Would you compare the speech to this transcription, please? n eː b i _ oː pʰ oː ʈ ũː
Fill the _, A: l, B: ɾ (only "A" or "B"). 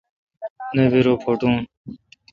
B